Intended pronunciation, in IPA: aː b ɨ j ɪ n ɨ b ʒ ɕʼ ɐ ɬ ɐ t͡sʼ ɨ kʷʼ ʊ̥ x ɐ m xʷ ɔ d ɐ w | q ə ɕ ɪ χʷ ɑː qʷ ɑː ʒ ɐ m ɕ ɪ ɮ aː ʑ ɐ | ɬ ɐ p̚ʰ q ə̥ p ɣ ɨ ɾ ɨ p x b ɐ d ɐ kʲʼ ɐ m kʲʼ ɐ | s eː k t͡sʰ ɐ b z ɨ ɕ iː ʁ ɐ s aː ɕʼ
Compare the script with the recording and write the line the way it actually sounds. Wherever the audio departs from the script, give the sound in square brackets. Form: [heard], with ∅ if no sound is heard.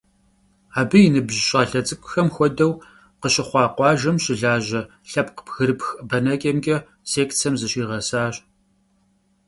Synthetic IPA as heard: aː b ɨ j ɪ n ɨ b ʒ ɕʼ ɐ ɬ ɐ t͡sʼ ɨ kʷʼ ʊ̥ x ɐ m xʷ ɔ d ɐ w | q ə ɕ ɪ χʷ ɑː qʷ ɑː ʒ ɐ m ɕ ɪ ɮ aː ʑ ɐ | ɬ ɐ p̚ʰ q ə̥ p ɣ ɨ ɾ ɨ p x b ɐ [n] ɐ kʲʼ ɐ m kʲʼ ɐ | s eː k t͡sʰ ɐ [m] z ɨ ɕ iː ʁ ɐ s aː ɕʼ